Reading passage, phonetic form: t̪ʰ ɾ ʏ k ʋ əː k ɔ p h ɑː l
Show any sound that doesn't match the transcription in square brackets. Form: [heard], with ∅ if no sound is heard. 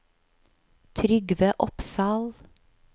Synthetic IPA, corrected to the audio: t̪ʰ ɾ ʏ [ɡ] ʋ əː [ʔ] ɔ p [s] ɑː l